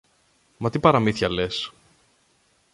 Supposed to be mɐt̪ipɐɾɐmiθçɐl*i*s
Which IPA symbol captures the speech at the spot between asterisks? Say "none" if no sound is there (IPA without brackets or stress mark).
e